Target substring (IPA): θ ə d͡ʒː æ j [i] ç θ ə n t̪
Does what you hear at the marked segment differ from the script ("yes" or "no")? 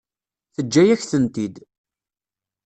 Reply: yes